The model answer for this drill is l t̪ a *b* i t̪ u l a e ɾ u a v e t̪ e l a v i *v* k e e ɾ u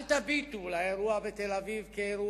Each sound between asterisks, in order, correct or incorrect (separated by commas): correct, correct